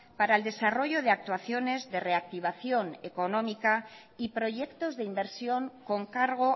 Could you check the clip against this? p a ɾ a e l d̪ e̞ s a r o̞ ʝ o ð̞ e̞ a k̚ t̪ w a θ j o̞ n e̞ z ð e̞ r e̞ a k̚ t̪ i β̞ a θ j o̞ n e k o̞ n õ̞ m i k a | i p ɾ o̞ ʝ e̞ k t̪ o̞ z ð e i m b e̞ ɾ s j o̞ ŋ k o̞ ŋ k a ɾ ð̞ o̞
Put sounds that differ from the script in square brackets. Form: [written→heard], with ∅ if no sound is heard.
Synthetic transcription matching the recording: p a ɾ a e l d̪ e̞ s a r o̞ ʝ o ð̞ e̞ a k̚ t̪ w a θ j o̞ n e̞ z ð e̞ r e̞ a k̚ t̪ i β̞ a θ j o̞ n e k o̞ n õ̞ m i k a | i p ɾ o̞ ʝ e̞ k t̪ o̞ z ð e i m b e̞ ɾ s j o̞ ŋ k o̞ ŋ k a ɾ [ð̞→ɣ̞] o̞